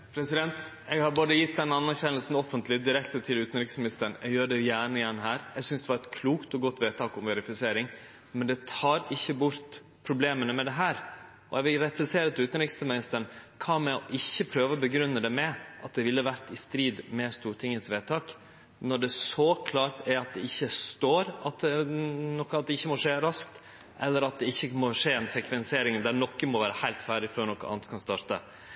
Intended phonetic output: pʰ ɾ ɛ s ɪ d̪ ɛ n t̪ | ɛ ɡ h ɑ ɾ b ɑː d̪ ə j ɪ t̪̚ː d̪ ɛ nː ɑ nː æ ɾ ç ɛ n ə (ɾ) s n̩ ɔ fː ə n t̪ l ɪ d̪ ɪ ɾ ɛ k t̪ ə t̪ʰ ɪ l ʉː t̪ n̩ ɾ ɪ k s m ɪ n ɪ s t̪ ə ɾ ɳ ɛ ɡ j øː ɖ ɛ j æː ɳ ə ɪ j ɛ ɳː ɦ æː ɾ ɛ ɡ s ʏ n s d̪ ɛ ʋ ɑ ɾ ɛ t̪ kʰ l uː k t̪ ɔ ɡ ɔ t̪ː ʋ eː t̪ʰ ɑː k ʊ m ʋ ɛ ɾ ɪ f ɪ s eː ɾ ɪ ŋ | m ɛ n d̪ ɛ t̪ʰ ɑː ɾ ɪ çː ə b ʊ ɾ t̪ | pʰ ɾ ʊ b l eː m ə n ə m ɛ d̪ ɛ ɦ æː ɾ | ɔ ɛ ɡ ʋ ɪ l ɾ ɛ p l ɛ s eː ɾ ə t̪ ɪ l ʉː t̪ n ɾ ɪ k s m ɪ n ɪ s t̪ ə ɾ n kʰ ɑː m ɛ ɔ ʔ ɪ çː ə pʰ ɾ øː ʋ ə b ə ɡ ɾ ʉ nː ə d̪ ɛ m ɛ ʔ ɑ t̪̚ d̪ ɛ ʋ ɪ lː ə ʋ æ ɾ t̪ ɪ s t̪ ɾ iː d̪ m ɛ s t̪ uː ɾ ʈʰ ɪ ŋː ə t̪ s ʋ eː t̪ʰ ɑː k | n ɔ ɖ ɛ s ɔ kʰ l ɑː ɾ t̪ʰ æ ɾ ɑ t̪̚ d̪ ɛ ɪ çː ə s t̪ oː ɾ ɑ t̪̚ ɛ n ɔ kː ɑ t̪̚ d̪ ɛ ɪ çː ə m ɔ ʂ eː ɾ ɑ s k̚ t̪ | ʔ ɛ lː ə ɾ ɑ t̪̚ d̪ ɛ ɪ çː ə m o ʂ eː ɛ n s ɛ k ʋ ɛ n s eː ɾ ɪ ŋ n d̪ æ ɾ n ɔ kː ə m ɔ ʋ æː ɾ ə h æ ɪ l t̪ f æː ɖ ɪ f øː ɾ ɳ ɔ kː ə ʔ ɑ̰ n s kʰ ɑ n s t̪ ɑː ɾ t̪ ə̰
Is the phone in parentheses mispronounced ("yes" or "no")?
yes